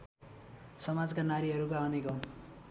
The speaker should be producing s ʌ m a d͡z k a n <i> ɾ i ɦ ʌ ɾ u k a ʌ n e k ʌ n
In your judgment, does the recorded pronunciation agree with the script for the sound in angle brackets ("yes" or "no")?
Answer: no